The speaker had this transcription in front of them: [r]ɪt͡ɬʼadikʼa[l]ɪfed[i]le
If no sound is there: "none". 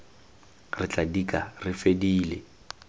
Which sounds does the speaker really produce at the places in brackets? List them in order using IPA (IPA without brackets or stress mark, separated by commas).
r, r, iː